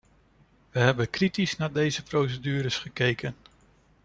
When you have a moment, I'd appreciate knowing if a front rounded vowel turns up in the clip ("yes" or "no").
yes